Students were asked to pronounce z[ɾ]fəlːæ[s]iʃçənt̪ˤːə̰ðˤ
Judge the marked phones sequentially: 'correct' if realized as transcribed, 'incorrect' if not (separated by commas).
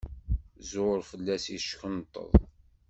correct, correct